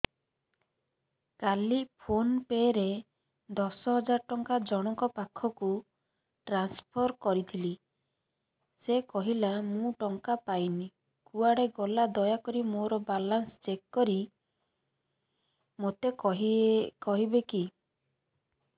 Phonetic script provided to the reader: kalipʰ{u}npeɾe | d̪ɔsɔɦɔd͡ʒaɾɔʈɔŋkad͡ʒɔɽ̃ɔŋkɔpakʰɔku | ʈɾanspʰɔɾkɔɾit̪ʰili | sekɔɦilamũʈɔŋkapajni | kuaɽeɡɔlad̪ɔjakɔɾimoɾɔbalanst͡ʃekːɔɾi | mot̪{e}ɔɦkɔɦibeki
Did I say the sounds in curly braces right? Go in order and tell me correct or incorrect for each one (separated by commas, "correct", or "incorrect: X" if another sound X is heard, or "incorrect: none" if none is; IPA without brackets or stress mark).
incorrect: o, correct